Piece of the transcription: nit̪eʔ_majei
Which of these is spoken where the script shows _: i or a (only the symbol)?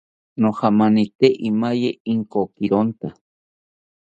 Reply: i